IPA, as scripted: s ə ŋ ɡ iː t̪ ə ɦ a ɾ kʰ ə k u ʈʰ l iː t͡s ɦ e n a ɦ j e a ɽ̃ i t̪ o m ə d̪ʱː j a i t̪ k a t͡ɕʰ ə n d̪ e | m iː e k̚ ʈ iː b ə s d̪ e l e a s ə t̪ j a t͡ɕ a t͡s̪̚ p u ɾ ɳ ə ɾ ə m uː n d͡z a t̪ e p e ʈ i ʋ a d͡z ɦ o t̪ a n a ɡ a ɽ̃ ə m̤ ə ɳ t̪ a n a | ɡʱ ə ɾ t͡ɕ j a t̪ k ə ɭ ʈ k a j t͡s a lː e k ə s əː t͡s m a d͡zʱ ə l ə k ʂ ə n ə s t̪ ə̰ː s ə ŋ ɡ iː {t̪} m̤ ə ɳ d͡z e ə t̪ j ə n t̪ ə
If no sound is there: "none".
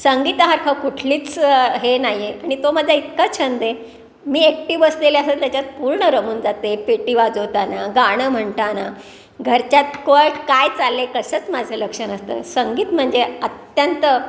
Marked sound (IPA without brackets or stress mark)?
t̪